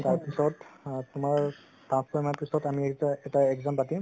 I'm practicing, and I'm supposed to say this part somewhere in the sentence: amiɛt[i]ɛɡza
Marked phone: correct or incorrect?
incorrect